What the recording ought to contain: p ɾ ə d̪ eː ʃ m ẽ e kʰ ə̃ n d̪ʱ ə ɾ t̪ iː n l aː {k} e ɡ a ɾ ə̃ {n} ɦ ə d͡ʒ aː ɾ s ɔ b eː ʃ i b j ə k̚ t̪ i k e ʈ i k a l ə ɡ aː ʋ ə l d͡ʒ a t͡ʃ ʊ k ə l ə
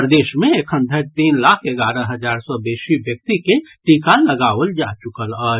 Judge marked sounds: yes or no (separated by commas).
no, no